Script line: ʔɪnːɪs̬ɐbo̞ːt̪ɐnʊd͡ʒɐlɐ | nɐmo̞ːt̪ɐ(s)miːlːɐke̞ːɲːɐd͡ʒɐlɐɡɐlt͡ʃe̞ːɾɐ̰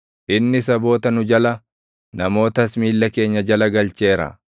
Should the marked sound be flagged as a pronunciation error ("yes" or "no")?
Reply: no